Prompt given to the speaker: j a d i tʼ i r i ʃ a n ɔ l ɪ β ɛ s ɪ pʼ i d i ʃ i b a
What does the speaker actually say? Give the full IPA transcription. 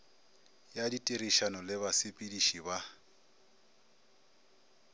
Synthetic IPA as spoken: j a d i tʼ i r i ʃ a n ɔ l ɪ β a s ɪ pʼ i d i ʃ i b a